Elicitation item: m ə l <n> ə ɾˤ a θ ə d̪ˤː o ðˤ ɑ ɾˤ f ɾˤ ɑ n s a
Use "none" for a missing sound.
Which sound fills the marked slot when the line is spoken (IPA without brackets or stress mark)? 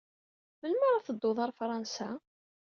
m